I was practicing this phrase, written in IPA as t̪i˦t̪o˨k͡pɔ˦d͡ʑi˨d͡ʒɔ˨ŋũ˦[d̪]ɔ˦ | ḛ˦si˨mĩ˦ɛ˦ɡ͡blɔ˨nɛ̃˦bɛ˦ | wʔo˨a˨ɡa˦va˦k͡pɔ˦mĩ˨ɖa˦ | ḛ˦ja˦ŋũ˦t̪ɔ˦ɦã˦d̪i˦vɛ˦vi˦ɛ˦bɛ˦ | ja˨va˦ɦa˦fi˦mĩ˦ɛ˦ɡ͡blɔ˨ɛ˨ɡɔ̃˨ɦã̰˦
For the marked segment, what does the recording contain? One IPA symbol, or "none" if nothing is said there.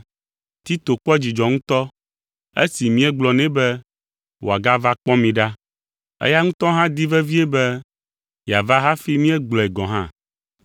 t̪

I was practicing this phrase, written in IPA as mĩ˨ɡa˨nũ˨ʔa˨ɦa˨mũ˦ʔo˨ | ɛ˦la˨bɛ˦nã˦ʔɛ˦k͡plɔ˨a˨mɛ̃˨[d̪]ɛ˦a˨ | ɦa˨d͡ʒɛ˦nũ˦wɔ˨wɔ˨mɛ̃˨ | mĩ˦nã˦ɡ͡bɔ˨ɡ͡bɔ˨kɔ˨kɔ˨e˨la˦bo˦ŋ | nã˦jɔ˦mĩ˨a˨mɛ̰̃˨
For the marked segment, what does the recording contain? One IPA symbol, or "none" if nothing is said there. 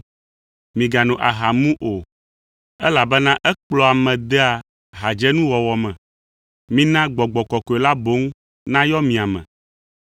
d̪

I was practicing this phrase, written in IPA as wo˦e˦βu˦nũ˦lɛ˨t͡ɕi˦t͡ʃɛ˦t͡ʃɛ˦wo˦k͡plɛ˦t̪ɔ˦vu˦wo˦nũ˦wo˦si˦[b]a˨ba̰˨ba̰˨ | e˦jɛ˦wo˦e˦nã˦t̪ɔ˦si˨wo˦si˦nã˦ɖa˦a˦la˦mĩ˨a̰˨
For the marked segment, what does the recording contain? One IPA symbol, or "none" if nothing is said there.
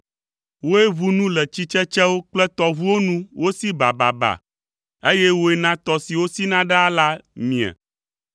b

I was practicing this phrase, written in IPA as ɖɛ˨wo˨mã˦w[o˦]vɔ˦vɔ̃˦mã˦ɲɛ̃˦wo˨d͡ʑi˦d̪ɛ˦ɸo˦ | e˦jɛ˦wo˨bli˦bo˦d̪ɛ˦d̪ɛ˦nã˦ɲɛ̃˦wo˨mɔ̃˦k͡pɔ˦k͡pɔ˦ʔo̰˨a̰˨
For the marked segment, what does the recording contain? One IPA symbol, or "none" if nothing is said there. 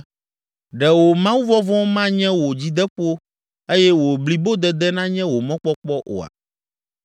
u˦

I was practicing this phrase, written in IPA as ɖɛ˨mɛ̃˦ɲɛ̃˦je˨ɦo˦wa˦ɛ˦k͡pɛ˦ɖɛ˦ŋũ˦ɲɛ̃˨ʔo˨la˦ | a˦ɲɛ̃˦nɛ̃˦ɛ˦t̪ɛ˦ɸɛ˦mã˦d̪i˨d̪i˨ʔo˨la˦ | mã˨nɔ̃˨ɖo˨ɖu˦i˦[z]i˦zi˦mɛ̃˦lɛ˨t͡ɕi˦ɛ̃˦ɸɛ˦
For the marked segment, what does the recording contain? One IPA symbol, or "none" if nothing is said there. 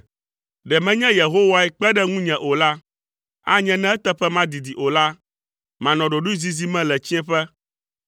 z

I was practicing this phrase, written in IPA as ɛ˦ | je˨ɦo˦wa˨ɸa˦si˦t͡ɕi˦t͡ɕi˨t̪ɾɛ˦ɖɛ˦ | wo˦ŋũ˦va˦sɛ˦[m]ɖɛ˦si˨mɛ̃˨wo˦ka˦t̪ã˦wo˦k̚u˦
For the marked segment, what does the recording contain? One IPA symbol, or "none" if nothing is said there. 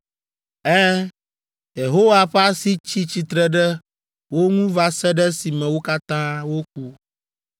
none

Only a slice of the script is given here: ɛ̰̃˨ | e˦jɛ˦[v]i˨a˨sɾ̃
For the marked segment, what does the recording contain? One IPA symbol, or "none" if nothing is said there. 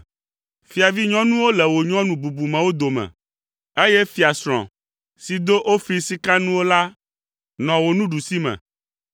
f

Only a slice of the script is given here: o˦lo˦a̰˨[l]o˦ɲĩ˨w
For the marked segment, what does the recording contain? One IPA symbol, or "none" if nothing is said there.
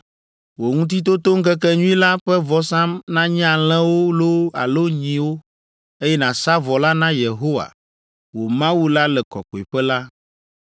l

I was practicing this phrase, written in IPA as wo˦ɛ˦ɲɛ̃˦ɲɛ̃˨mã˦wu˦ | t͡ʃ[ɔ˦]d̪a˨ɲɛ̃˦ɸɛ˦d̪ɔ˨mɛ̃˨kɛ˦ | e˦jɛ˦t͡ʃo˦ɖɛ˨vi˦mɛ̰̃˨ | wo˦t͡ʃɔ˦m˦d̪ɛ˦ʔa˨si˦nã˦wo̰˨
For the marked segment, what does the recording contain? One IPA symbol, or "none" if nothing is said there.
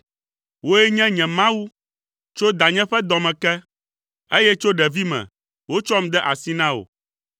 o˦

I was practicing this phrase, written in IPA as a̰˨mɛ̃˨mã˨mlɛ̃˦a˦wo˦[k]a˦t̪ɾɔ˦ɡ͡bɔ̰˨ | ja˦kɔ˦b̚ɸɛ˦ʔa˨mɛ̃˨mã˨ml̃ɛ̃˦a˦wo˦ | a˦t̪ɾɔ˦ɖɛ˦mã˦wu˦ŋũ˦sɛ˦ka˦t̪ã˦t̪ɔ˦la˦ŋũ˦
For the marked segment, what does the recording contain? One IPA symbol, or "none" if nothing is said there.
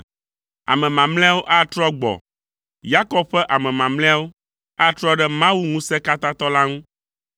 ʔ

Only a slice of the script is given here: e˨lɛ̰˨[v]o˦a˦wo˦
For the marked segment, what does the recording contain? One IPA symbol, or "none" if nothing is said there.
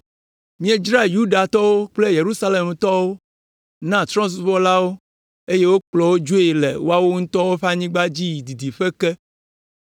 w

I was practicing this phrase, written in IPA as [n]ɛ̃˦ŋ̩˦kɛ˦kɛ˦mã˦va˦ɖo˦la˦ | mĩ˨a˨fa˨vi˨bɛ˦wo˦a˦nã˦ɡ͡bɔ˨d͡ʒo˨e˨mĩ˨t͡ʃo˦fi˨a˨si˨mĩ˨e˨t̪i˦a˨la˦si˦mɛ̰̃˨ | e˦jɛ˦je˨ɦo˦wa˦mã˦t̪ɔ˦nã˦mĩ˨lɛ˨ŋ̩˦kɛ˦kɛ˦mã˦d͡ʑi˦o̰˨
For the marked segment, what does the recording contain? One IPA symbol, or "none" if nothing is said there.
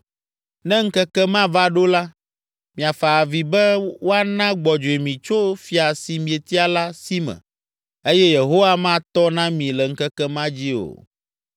n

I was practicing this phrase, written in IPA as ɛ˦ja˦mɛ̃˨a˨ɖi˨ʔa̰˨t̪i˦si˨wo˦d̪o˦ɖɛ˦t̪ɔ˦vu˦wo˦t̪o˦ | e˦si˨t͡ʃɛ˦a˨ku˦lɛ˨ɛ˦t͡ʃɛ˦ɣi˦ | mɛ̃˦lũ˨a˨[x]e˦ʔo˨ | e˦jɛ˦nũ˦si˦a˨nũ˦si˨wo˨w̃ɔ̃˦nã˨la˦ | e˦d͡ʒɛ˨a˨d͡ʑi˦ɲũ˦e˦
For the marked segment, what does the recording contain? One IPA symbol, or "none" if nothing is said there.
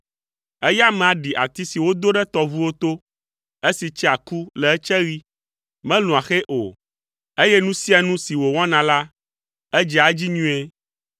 x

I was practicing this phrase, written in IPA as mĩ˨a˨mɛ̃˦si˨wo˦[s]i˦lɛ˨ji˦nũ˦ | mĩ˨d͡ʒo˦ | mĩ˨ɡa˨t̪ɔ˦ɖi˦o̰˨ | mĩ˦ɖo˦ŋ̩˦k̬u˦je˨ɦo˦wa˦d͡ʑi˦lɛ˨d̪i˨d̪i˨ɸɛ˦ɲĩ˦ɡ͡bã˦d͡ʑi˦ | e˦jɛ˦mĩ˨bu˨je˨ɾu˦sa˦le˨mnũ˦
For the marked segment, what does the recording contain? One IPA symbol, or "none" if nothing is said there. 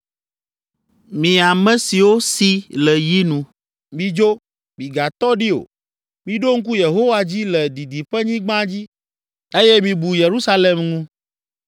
s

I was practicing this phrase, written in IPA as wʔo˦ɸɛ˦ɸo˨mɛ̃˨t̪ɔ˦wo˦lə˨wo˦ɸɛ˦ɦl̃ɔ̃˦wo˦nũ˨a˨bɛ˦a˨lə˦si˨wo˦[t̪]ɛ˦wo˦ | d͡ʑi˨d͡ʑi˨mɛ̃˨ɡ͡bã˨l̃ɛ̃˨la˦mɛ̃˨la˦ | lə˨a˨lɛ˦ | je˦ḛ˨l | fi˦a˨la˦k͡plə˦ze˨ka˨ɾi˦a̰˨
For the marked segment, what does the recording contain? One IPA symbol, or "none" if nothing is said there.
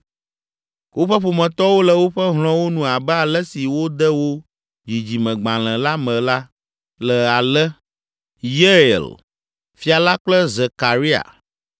d̪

